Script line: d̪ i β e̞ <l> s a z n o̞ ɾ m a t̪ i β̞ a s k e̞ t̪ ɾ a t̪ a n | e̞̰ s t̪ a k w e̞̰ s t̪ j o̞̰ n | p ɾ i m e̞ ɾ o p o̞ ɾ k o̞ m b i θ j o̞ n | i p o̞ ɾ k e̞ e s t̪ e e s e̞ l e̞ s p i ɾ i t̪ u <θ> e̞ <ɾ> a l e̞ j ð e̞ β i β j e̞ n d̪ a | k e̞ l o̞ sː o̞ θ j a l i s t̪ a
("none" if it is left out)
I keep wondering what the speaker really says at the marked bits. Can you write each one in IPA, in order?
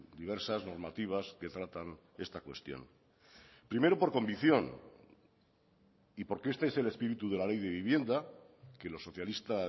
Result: ɾ, ð, l

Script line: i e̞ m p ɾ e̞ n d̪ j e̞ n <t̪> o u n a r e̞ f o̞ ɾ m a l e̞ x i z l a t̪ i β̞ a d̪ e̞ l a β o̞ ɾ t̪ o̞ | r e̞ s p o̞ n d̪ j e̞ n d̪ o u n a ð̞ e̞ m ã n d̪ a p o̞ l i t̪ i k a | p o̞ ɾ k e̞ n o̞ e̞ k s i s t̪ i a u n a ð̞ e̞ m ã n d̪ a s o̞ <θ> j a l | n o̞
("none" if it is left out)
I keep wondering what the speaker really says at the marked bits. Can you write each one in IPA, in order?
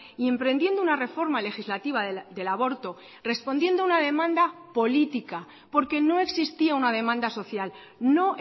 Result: d̪, θ

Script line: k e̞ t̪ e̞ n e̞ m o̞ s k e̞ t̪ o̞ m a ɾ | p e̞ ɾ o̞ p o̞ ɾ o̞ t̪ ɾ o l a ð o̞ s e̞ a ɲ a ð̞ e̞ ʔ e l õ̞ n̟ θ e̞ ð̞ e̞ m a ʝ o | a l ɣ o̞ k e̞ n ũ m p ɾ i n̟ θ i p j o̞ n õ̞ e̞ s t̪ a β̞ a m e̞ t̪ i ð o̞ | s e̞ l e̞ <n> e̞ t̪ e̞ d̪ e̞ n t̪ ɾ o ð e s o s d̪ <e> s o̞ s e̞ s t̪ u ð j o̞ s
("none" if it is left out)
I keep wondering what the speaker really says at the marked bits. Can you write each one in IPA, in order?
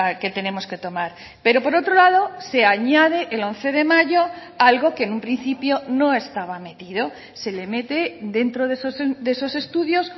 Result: m, e

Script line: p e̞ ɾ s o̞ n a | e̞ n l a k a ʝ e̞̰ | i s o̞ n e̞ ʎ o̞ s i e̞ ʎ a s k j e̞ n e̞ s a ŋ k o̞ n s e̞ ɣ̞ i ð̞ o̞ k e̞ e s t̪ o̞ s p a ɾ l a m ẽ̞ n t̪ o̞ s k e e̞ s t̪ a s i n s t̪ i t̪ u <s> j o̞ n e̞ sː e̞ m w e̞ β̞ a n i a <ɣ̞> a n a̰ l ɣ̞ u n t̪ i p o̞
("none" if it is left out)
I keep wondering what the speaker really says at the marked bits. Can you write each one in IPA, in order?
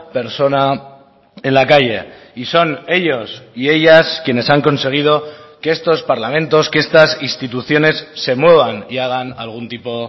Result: θ, ɣ̞

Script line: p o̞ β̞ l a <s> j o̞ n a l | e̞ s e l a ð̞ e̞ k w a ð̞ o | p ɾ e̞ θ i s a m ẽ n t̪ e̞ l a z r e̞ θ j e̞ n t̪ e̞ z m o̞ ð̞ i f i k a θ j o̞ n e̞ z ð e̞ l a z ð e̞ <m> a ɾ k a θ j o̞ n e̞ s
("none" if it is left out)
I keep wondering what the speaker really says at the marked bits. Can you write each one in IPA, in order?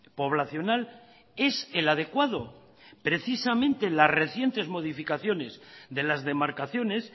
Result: θ, m

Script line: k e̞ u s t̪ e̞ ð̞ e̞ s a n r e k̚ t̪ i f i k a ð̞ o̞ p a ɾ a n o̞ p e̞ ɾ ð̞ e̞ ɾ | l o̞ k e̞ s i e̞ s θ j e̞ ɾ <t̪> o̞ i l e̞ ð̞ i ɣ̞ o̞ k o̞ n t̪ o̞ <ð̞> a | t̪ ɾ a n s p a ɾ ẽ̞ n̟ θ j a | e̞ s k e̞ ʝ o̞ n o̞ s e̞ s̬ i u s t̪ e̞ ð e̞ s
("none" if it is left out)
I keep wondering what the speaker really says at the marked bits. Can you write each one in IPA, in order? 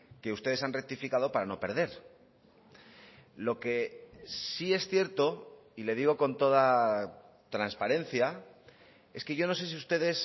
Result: t̪, ð̞

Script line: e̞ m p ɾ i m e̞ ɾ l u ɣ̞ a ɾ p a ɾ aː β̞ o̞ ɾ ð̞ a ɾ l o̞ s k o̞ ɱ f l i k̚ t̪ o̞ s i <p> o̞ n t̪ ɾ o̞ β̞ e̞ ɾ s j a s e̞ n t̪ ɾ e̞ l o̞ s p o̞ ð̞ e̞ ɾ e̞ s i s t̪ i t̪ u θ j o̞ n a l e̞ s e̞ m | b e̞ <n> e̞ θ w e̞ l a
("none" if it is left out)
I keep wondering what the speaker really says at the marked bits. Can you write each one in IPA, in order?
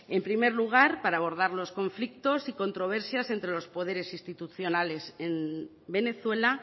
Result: k, n

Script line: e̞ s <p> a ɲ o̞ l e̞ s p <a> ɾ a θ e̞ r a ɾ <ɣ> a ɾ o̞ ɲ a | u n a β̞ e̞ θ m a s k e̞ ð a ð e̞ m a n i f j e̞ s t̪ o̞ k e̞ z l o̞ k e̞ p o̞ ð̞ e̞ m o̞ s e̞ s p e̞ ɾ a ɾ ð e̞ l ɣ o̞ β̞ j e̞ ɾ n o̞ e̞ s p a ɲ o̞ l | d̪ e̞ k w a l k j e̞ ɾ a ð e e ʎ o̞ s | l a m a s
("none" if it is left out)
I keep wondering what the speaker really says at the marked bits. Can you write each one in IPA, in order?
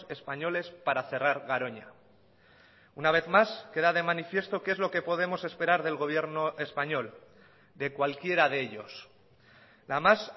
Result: p, a, ɣ

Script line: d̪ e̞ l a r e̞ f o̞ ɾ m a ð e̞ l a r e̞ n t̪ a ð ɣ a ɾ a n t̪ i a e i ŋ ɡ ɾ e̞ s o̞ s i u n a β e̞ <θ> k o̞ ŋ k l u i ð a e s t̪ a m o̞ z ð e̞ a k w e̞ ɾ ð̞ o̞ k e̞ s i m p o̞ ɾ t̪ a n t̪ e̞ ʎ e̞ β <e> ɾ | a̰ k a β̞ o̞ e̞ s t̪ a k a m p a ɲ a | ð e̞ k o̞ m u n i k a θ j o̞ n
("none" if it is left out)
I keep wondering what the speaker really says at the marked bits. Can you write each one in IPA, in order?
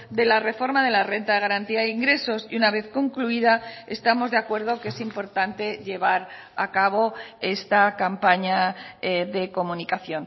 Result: θ, a

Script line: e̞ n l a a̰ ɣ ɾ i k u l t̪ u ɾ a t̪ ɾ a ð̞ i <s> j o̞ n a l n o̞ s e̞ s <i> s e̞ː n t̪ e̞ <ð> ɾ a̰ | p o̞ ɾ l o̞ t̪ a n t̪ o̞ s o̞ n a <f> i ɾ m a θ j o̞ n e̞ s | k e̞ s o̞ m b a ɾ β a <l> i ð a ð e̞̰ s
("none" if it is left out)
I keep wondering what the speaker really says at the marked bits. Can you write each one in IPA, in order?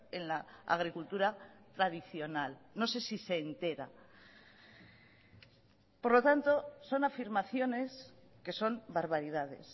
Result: θ, i, none, f, ɾ

